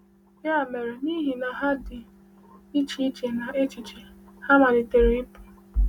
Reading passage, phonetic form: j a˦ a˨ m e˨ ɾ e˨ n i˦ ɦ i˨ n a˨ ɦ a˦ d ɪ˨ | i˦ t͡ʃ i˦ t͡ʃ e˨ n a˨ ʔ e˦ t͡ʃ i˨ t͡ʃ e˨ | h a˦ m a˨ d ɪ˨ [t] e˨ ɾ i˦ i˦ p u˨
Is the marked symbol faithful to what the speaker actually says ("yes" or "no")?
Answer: yes